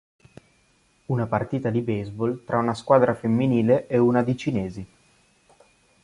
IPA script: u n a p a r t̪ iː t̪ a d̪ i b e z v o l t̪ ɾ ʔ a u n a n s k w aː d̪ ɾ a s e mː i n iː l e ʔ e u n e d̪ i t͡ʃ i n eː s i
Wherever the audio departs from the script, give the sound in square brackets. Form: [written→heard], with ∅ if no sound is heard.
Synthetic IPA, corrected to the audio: u n a p a r t̪ iː t̪ a d̪ i b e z [v→b] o l t̪ ɾ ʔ a u n a [n→∅] s k w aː d̪ ɾ a [s→f] e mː i n iː l e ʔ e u n [e→a] d̪ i t͡ʃ i n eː [s→z] i